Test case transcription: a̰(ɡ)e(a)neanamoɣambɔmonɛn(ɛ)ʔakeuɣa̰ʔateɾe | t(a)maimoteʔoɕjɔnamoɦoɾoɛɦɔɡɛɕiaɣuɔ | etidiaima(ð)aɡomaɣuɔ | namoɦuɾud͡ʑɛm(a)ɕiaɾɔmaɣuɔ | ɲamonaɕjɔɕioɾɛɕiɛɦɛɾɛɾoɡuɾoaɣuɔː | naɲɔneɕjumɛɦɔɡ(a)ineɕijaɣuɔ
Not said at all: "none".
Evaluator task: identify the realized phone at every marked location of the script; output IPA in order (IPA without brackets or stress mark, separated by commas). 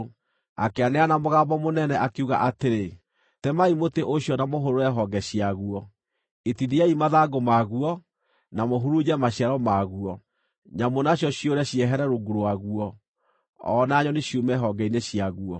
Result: k, a, ɛ, ɛ, ð, a, ɛ